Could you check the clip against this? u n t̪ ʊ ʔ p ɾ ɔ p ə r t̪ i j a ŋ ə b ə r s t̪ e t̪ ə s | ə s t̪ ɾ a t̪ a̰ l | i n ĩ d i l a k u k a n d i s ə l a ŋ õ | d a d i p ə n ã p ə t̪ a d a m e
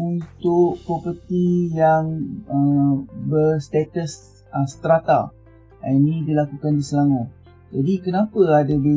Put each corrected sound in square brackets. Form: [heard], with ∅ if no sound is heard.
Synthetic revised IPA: u n t̪ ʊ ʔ p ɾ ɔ p ə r t̪ i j a ŋ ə b ə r s t̪ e t̪ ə s | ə s t̪ ɾ a t̪ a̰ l | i n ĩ d i l a k u k a n d i s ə l a ŋ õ | [d͡ʒ] a d i [k] ə n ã p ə [∅] a d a [b] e

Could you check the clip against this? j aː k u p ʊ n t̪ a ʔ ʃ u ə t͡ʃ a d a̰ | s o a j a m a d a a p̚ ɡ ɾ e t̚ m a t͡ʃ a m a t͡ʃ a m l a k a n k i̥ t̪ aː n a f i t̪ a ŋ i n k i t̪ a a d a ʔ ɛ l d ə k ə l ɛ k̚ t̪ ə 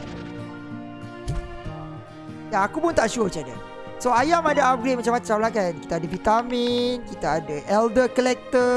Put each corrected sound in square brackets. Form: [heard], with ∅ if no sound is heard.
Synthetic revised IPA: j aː k u p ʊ n t̪ a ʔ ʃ u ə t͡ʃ a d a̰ | s o a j a m a d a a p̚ ɡ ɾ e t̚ m a t͡ʃ a m a t͡ʃ a m l a k a n k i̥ t̪ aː [d] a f i t̪ a [m] i n k i t̪ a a d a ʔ ɛ l d ə k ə l ɛ k̚ t̪ ə

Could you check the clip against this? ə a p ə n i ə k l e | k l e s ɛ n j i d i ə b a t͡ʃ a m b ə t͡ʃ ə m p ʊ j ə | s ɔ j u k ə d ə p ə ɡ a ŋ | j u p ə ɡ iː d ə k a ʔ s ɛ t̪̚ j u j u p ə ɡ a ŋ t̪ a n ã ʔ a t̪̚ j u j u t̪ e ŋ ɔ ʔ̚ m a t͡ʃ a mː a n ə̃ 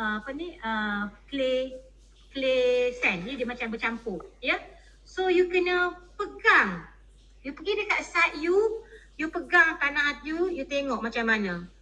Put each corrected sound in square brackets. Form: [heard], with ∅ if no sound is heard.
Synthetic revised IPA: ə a p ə n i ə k l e | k l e s ɛ n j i d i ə [m] a t͡ʃ a m b ə t͡ʃ [a] m p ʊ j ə | s [o] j u k ə [n] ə p ə ɡ a ŋ | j u p ə ɡ [i] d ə k a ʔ s [a] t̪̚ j u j u p ə ɡ a ŋ t̪ a n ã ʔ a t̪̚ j u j u t̪ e ŋ ɔ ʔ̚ m a t͡ʃ a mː a n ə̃

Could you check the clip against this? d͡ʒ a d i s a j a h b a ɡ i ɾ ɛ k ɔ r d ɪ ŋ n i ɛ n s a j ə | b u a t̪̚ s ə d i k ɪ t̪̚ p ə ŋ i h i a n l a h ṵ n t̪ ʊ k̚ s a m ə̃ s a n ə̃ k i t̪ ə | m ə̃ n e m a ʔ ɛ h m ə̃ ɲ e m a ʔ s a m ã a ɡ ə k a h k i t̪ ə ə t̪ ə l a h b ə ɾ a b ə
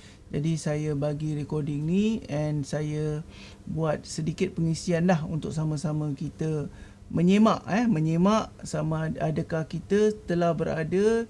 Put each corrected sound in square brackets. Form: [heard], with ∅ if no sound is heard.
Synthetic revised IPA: d͡ʒ a d i s a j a [∅] b a ɡ i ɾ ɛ k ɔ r d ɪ ŋ n i ɛ n s a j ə | b u a t̪̚ s ə d i k ɪ t̪̚ p ə ŋ i [s] i a n l a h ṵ n t̪ ʊ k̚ s a m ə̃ s a [m] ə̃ k i t̪ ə | m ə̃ [ɲ] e m a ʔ ɛ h m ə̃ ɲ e m a ʔ s a m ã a [d] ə k a h k i t̪ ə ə t̪ ə l a h b ə ɾ a [d] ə

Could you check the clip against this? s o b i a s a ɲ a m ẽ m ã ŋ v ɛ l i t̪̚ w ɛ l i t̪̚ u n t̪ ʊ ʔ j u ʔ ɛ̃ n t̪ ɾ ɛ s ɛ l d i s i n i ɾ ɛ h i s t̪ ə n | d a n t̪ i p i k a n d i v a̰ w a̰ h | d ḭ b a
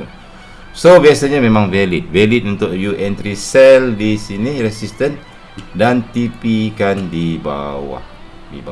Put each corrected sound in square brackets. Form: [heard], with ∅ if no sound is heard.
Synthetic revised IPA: s o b i a s a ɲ a m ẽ m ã ŋ v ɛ l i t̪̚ [v] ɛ l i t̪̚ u n t̪ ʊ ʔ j u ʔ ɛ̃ n t̪ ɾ [i] s ɛ l d i s i n i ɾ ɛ [s] i s t̪ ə n | d a n t̪ i p i k a n d i [b] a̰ w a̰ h | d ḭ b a

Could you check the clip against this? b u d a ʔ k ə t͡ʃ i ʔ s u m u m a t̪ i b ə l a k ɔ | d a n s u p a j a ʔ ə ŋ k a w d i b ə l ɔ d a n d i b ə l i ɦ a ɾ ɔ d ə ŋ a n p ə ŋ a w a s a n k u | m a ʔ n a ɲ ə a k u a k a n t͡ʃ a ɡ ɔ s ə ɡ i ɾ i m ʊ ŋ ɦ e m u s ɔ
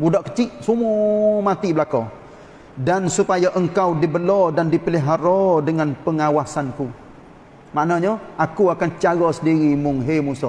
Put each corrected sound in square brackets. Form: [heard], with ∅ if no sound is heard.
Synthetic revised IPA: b u d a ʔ k ə t͡ʃ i ʔ s u m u m a t̪ i b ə l a k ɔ | d a n s u p a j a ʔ ə ŋ k a w d i b ə l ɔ d a n d i [p] ə l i ɦ a ɾ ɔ d ə ŋ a n p ə ŋ a w a s a n k u | m a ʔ n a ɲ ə a k u a k a n t͡ʃ a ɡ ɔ s ə [d] i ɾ i m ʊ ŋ ɦ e m u s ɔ

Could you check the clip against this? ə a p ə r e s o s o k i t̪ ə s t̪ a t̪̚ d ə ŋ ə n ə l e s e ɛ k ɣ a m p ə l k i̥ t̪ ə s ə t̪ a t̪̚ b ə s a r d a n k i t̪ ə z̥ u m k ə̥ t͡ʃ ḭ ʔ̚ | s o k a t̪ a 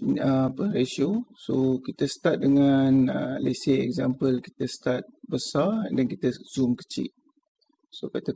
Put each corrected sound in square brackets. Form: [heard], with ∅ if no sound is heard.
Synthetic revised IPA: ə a p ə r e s o s o k i t̪ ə s t̪ a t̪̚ d ə ŋ [a] n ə l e s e ɛ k [z] a m p ə l k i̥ t̪ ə s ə t̪ a t̪̚ b ə s a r d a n k i t̪ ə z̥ u m k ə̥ t͡ʃ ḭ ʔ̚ | s o k a t̪ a

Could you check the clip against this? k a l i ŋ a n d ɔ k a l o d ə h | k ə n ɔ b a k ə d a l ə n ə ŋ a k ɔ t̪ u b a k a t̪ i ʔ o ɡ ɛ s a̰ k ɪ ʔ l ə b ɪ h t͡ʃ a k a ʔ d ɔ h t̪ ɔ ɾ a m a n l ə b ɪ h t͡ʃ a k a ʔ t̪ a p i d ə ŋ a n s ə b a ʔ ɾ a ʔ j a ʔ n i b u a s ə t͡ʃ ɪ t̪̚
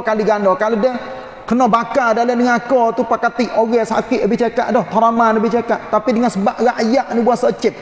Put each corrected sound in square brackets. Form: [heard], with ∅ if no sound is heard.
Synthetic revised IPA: k a l i [ɡ] a n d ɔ k a l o d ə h | k ə n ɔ b a k [a] d a l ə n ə ŋ a k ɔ t̪ u [p] a k a t̪ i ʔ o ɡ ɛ s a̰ k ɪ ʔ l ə b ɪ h t͡ʃ a k a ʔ d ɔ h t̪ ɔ ɾ a m a n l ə b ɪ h t͡ʃ a k a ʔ t̪ a p i d ə ŋ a n s ə b a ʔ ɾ a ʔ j a ʔ n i b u a s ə t͡ʃ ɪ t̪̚

